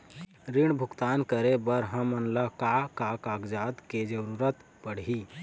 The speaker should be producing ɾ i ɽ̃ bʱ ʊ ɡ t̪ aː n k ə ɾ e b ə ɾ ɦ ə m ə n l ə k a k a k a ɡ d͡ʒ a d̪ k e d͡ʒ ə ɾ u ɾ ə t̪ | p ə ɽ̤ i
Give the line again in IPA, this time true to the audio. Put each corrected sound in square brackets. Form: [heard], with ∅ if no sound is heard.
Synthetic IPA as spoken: ɾ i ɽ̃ bʱ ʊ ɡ t̪ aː n k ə ɾ e b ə ɾ ɦ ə m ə n l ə k a k a k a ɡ d͡ʒ a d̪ k e d͡ʒ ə ɾ u ɾ ə t̪ | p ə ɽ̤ i